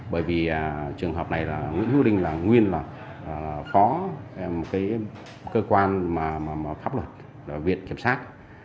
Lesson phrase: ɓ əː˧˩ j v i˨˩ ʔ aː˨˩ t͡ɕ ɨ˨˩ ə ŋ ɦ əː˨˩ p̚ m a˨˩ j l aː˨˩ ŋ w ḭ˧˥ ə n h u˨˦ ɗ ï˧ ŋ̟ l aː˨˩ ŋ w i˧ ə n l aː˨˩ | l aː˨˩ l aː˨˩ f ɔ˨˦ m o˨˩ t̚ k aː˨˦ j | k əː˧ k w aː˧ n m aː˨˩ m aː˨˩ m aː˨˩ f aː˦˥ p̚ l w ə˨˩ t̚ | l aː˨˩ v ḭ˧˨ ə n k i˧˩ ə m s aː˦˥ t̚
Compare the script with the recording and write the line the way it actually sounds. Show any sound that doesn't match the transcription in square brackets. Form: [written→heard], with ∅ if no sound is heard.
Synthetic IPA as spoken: ɓ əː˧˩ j v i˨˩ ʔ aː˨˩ t͡ɕ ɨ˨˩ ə ŋ ɦ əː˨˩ p̚ [m→n] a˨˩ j l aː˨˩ ŋ w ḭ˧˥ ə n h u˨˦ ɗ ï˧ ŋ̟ l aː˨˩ ŋ w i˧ ə n l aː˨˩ | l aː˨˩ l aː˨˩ f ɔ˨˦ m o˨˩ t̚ k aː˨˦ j | k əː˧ k w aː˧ n m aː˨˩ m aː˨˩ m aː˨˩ f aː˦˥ p̚ l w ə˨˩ t̚ | l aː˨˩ v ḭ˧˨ ə n k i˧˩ ə m s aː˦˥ t̚

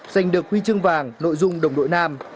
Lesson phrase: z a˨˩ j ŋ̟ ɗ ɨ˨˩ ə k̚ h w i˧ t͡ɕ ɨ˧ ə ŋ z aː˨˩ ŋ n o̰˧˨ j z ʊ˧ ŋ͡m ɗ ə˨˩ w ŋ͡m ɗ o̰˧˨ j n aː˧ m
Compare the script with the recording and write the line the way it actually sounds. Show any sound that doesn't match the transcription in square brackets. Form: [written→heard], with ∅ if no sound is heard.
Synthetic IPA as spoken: z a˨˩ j ŋ̟ ɗ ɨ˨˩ ə k̚ h w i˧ t͡ɕ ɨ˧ ə ŋ [z→v] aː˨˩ ŋ n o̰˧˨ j z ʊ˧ ŋ͡m ɗ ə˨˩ w ŋ͡m ɗ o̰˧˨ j n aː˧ m

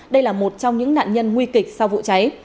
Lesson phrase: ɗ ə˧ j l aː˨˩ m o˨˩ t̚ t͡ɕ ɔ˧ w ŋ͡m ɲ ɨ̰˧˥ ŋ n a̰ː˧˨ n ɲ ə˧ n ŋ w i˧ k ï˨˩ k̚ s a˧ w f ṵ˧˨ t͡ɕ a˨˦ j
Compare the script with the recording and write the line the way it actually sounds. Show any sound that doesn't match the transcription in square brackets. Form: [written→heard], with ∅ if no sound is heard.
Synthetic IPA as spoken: ɗ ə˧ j l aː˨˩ m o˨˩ t̚ t͡ɕ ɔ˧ w ŋ͡m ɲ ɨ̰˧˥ ŋ n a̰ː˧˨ n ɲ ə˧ n ŋ w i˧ k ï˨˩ k̚ s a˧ w [f→v] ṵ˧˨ t͡ɕ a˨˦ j

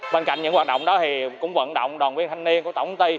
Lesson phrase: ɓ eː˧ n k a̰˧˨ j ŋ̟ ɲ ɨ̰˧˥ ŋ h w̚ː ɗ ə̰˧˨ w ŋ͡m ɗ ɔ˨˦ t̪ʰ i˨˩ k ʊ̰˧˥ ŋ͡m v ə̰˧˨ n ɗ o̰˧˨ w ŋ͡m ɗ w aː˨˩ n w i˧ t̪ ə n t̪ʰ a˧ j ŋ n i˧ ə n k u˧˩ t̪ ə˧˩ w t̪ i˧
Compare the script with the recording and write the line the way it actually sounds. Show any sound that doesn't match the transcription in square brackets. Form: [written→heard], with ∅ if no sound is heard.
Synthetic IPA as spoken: ɓ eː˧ n k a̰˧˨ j ŋ̟ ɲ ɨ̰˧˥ ŋ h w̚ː ɗ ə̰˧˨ w ŋ͡m ɗ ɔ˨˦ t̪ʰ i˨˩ k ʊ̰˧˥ ŋ͡m v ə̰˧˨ n ɗ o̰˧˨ w ŋ͡m ɗ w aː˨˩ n w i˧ [t̪→∅] ə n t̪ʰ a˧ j ŋ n i˧ ə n k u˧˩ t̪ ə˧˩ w t̪ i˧

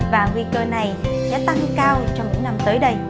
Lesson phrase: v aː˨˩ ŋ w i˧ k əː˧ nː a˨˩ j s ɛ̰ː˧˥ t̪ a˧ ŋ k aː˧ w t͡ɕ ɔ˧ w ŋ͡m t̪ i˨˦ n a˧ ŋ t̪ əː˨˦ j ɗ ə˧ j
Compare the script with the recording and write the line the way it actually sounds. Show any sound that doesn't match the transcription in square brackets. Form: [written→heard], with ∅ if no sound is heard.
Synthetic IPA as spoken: v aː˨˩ ŋ w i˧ k əː˧ [nː→n] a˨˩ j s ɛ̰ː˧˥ t̪ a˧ ŋ k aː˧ w t͡ɕ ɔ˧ w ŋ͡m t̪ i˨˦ n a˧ [ŋ→m] t̪ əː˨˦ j ɗ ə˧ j

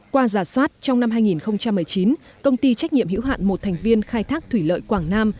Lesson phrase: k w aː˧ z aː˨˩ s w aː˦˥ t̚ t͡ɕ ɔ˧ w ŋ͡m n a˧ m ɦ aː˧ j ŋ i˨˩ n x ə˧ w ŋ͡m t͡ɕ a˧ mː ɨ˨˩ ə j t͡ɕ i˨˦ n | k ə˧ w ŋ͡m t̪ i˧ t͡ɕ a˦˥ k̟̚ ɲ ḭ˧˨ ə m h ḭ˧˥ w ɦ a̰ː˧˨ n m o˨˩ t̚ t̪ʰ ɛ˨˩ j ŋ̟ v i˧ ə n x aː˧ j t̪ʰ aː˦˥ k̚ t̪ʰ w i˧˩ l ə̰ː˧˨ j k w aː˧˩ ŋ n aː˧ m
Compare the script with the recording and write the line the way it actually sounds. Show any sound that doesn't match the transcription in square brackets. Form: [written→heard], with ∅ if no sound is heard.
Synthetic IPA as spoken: k w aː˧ z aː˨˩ s w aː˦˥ t̚ t͡ɕ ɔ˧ w ŋ͡m n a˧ m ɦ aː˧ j ŋ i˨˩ n x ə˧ w ŋ͡m t͡ɕ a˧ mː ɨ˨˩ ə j t͡ɕ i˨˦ n | k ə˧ w ŋ͡m t̪ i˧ t͡ɕ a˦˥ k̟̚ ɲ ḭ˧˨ ə m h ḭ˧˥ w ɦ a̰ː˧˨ n m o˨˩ t̚ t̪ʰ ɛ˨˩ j ŋ̟ v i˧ ə n x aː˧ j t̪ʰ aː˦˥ k̚ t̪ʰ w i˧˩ l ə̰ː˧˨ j k w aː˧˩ ŋ n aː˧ m

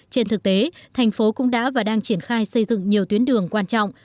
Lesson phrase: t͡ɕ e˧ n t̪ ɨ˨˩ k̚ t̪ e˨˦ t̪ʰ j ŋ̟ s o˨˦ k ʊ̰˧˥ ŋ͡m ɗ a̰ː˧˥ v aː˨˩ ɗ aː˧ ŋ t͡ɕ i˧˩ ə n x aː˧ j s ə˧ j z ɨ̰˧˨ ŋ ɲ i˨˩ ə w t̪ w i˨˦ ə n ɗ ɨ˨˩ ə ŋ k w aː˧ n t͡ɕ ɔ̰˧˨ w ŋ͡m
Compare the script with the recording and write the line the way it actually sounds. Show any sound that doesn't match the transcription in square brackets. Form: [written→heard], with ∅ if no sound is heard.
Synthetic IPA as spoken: t͡ɕ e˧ n t̪ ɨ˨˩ k̚ t̪ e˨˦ t̪ʰ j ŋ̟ [s→f] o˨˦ k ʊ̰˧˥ ŋ͡m ɗ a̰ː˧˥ v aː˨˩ ɗ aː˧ ŋ t͡ɕ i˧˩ ə n x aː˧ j s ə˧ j z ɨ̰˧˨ ŋ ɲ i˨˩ ə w t̪ w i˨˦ ə n ɗ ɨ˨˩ ə ŋ k w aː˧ n t͡ɕ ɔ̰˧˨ w ŋ͡m

